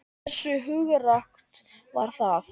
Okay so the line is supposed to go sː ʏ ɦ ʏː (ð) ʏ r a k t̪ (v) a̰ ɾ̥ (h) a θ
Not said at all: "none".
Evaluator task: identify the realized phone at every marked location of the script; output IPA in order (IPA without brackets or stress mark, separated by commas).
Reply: ɣ, v, θ